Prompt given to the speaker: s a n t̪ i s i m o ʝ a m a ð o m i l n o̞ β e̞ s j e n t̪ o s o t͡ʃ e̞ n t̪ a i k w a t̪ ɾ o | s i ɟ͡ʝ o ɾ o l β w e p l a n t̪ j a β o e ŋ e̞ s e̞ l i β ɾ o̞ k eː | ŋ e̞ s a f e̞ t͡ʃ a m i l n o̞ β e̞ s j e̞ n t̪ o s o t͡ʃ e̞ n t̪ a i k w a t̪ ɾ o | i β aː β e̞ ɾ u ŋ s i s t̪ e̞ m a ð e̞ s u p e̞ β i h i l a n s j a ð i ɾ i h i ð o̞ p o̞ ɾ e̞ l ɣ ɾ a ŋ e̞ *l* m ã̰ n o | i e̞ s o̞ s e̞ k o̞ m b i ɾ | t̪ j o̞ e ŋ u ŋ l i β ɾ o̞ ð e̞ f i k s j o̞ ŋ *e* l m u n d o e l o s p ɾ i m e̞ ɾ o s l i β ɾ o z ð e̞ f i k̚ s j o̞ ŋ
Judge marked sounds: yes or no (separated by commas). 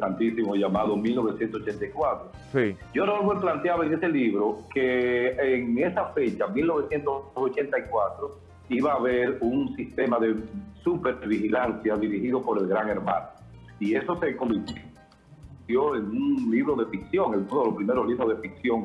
no, yes